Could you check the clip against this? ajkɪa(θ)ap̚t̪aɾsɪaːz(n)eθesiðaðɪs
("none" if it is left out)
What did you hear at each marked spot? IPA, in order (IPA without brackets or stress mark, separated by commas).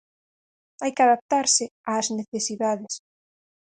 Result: ð, n